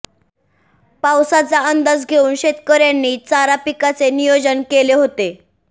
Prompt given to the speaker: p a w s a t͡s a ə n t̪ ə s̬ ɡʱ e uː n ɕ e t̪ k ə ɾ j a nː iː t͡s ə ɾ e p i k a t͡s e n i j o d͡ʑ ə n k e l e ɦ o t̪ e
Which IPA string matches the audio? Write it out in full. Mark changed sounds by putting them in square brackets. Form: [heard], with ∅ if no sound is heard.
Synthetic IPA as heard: p a w s a t͡s a ə n [d̪] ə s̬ ɡʱ e uː n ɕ e t̪ k ə ɾ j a nː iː t͡s [a] ɾ [a] p i k a t͡s e n i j o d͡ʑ ə n k e l e ɦ o t̪ e